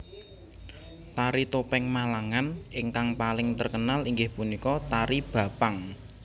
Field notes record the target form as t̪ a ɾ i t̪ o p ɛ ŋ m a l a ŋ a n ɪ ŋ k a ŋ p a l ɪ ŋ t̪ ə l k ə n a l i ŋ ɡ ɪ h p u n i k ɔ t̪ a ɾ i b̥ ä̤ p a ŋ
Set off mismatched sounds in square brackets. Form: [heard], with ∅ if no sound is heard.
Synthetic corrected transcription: t̪ a ɾ i t̪ o p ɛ ŋ m a l a ŋ a n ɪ ŋ k a ŋ p a l ɪ ŋ t̪ ə [r] k ə n a l i ŋ ɡ ɪ h p u n i k ɔ t̪ a ɾ i b̥ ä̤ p a ŋ